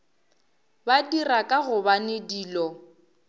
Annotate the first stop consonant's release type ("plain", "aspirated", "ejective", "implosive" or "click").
plain